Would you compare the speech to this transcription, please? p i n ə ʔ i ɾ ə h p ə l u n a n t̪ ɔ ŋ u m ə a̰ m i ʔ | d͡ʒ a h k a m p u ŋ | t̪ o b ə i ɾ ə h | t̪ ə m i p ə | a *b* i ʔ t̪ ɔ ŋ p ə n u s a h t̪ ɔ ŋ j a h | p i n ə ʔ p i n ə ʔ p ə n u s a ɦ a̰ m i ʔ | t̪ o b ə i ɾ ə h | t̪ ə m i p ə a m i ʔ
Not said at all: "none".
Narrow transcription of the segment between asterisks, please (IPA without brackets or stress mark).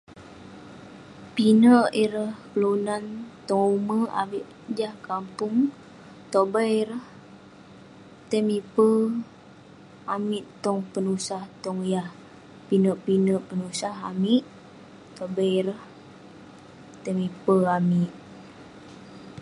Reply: m